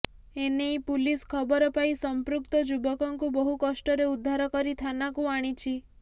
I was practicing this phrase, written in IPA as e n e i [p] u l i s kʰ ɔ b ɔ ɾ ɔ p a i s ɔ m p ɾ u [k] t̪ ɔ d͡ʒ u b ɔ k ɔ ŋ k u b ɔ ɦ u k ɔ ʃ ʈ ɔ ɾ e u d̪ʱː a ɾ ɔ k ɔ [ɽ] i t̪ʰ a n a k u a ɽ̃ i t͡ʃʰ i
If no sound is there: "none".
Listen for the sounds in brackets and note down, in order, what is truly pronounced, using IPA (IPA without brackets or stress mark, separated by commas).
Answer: p, k, ɾ